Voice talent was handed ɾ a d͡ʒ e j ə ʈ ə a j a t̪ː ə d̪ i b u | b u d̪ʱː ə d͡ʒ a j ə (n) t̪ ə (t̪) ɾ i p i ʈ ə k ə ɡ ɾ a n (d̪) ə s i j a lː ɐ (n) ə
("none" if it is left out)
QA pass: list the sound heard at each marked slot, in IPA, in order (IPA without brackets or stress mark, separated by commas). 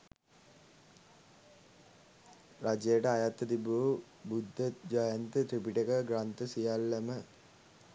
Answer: n, t̪, t̪, m